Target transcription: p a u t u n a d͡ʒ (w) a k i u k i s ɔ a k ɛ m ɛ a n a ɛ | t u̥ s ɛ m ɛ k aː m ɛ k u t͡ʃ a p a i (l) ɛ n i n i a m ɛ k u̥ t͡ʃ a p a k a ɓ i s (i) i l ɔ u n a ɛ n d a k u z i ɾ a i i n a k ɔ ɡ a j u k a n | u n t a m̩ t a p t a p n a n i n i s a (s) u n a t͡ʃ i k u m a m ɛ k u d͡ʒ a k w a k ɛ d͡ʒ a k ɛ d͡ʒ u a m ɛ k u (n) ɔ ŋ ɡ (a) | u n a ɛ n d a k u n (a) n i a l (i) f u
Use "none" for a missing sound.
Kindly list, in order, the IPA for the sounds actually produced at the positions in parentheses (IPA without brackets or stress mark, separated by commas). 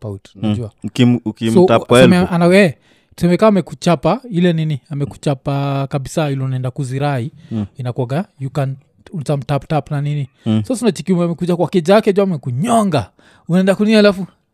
u, l, a, s, ɲ, a, i, a